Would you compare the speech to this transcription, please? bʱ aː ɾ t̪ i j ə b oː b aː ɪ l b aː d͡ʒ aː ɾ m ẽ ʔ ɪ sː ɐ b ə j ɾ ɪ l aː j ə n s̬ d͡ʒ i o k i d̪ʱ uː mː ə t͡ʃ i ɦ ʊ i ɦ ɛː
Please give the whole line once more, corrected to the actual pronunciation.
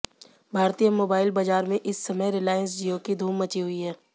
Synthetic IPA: bʱ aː ɾ t̪ i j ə m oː b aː ɪ l b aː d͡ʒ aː ɾ m ẽ ʔ ɪ sː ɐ m ə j ɾ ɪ l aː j ə n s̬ d͡ʒ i o k i d̪ʱ uː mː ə t͡ʃ i ɦ ʊ i ɦ ɛː